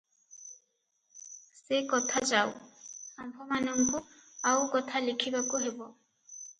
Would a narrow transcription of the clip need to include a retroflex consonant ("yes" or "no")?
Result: no